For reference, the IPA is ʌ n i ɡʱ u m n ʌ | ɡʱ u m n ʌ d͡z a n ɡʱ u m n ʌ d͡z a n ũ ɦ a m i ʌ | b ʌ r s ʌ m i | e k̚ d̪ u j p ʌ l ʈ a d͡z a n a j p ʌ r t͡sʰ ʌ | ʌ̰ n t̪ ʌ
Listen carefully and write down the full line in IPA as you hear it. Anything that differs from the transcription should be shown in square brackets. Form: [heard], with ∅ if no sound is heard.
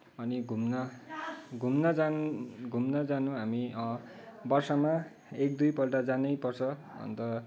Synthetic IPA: ʌ n i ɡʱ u m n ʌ | ɡʱ u m n ʌ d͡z a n ɡʱ u m n ʌ d͡z a n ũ ɦ a m i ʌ | b ʌ r s ʌ m [a] | e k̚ d̪ u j p ʌ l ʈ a d͡z a n [ʌ] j p ʌ r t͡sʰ ʌ | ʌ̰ n t̪ ʌ